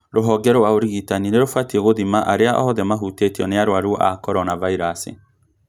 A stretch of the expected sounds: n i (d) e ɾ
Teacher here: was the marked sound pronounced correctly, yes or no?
no